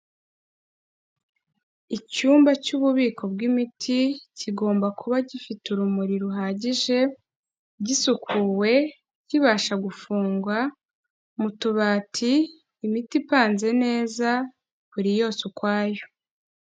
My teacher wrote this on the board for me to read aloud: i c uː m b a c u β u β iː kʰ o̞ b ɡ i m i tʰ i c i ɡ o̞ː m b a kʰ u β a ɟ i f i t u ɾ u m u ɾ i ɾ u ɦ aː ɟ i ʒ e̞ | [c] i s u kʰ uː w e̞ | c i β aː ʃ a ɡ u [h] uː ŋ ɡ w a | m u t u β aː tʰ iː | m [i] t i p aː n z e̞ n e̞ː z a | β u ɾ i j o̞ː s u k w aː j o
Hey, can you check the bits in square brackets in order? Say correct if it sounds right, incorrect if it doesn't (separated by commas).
incorrect, incorrect, correct